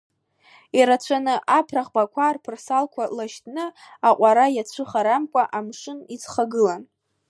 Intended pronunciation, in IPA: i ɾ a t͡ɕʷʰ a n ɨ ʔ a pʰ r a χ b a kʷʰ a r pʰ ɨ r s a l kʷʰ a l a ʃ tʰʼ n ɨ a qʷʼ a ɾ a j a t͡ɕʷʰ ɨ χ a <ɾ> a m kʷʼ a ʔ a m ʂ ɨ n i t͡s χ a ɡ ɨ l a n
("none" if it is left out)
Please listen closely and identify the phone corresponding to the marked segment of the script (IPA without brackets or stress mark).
ɾ